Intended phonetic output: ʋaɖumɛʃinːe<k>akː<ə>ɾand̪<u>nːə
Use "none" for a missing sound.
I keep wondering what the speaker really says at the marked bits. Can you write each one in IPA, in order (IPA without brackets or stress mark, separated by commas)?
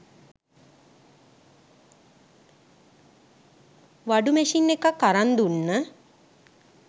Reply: k, a, u